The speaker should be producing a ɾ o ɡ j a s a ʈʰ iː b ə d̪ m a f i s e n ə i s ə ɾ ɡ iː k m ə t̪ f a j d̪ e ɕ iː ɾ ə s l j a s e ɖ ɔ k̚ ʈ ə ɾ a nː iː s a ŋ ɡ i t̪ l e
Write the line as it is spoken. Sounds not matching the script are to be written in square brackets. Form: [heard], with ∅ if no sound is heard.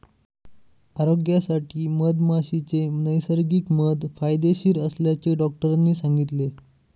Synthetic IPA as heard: a ɾ o ɡ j a s a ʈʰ iː [m] ə d̪ m a [ɕ] i [t͡s] e n ə [j] s ə ɾ ɡ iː k m ə [d̪] f a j d̪ e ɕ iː ɾ ə s l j a [t͡s] e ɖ ɔ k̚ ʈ ə ɾ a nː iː s a ŋ ɡ i t̪ l e